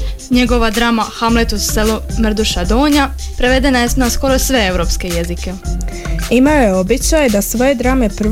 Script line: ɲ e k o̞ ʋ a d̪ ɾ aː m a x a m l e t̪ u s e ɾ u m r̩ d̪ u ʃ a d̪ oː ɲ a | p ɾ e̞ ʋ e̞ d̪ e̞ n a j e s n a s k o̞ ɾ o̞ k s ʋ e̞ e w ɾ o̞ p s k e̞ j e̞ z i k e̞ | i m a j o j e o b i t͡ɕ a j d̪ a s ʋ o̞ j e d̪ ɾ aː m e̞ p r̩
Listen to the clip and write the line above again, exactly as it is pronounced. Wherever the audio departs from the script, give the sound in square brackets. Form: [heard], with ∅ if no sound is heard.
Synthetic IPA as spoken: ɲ e [ɡ] o̞ ʋ a d̪ ɾ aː m a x a m l e t̪ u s e [l] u m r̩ d̪ u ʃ a d̪ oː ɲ a | p ɾ e̞ ʋ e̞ d̪ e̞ n a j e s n a s k o̞ ɾ o̞ [∅] s ʋ e̞ e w ɾ o̞ p s k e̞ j e̞ z i k e̞ | i m a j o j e o b i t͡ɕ a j d̪ a s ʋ o̞ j e d̪ ɾ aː m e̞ p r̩